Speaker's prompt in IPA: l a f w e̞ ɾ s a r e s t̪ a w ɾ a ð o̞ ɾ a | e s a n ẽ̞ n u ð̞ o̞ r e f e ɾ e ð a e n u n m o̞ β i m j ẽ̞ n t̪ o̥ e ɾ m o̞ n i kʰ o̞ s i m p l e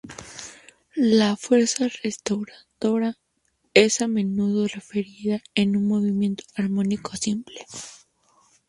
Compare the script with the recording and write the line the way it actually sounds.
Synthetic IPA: l a f w e̞ ɾ s a r e s t̪ a w ɾ a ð o̞ ɾ a | e s a m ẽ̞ n u ð̞ o̞ r e f e ɾ i ð a e n u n m o̞ β i m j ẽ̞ n t̪ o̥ a ɾ m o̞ n i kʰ o̞ s i m p l e

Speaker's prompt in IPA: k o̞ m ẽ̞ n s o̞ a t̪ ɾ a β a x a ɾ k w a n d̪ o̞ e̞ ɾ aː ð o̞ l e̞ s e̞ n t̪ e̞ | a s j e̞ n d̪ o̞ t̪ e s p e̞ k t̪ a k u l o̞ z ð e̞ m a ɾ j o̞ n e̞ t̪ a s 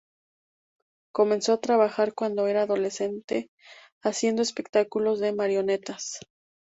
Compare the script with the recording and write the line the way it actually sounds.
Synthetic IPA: k o̞ m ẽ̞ n s o̞ a t̪ ɾ a β a x a ɾ k w a n d̪ o̞ e̞ ɾ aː ð o̞ l e̞ s e̞ n t̪ e̞ | a s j e̞ n d̪ o̞ e s p e̞ k t̪ a k u l o̞ z ð e̞ m a ɾ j o̞ n e̞ t̪ a s

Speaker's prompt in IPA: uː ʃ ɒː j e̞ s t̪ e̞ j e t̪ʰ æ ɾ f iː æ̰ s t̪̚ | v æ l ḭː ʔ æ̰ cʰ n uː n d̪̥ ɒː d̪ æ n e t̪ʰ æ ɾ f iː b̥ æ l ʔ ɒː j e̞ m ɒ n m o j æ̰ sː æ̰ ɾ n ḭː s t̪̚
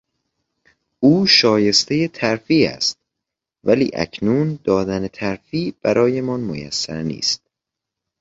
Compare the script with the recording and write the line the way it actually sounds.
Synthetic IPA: uː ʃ ɒː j e̞ s t̪ e̞ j e t̪ʰ æ ɾ f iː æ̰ s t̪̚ | v æ l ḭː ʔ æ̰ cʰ n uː n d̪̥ ɒː d̪ æ n e t̪ʰ æ ɾ f iː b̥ æ ɾ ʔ ɒː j e̞ m ɒ n m o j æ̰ sː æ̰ ɾ n ḭː s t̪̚

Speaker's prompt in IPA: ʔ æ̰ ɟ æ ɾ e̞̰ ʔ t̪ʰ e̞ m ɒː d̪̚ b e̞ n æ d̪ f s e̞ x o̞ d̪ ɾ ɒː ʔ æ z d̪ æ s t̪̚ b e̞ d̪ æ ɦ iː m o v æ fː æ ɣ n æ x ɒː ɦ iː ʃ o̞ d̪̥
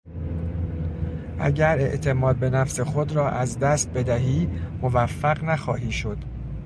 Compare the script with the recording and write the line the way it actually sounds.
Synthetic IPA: ʔ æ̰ ɟ æ ɾ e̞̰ ʔ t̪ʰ e̞ m ɒː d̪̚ b e̞ n æ f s e̞ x o̞ d̪ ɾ ɒː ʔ æ z d̪ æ s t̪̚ b e̞ d̪ æ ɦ iː m o v æ fː æ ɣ n æ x ɒː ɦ iː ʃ o̞ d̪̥

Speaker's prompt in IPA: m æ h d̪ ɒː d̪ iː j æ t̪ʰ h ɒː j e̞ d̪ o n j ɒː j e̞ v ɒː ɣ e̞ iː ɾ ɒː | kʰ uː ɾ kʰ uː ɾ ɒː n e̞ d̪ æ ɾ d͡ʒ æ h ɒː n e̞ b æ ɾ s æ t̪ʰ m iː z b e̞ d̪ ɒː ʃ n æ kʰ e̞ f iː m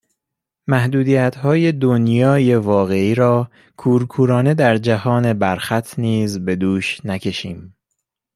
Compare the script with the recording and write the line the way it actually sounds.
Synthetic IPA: m æ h d̪ uː d̪ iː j æ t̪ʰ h ɒː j e̞ d̪ o n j ɒː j e̞ v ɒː ɣ e̞ iː ɾ ɒː | kʰ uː ɾ kʰ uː ɾ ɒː n e̞ d̪ æ ɾ d͡ʒ æ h ɒː n e̞ b æ ɾ x æ t̪ʰ n iː z b e̞ d̪ uː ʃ n æ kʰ e̞ ʃ iː m

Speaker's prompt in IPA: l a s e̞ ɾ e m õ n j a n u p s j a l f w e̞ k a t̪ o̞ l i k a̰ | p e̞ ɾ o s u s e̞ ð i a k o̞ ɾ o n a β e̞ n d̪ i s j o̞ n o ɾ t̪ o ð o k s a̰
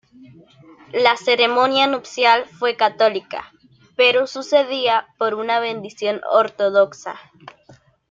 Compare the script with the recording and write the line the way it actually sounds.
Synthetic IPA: l a s e̞ ɾ e m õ n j a n u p s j a l f w e̞ k a t̪ o̞ l i k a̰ | p e̞ ɾ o s u s e̞ ð i a p o̞ ɾ u n a β e̞ n d̪ i s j o̞ n o ɾ t̪ o ð o k s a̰

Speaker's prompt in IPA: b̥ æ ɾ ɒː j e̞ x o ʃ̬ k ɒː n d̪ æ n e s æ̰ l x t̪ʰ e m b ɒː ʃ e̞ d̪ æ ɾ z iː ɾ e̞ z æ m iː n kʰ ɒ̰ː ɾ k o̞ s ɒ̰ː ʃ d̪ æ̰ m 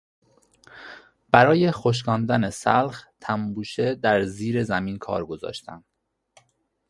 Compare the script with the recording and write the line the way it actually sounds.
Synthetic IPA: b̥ æ ɾ ɒː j e̞ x o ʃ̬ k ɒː n d̪ æ n e s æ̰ l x t̪ʰ æ m b uː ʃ e̞ d̪ æ ɾ z iː ɾ e̞ z æ m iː n kʰ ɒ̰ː ɾ ɡ o̞ z ɒ̰ː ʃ t̪ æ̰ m

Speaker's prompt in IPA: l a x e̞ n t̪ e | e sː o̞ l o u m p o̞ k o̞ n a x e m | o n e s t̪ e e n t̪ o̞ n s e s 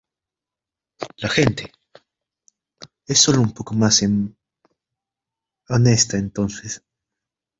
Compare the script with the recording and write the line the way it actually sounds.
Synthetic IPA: l a x e̞ n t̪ e | e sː o̞ l o u m p o̞ k o̞ m a s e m | o n e s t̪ a e n t̪ o̞ n s e s

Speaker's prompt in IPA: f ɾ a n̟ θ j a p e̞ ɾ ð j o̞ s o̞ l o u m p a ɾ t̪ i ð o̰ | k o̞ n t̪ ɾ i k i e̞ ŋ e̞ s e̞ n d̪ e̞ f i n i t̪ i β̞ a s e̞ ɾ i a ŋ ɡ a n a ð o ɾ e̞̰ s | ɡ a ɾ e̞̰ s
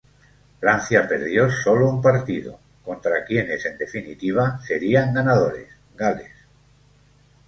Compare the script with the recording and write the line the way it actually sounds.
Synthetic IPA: f ɾ a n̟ θ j a p e̞ ɾ ð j o̞ s o̞ l o u m p a ɾ t̪ i ð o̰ | k o̞ n t̪ ɾ a k j e̞ n e̞ s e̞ n d̪ e̞ f i n i t̪ i β̞ a s e̞ ɾ i a ŋ ɡ a n a ð o ɾ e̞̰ s | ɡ a l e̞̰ s

